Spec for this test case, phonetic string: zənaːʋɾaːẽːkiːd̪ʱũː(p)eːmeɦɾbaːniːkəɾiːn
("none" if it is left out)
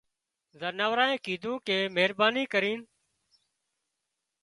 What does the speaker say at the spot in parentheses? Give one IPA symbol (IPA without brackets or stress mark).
k